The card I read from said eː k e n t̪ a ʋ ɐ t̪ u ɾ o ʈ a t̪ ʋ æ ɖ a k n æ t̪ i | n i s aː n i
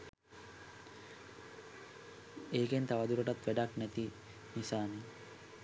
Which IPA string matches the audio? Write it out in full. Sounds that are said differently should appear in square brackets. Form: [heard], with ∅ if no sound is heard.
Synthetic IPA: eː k e n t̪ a ʋ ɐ [d̪] u ɾ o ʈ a t̪ ʋ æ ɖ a k n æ t̪ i | n i s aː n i

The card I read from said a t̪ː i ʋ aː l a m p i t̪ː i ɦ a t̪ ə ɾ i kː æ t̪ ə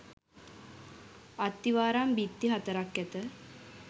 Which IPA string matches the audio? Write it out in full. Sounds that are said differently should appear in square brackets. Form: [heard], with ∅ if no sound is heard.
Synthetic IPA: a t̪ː i ʋ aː [ɾ] a m [b] i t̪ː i ɦ a t̪ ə ɾ [a] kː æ t̪ ə

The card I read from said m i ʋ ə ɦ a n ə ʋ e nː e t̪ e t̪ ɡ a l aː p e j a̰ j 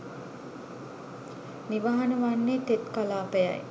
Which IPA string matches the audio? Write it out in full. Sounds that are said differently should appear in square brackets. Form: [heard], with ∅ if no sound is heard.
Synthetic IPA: [n] i ʋ [a] ɦ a n ə ʋ [a] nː e t̪ e t̪ [k] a l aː p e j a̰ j

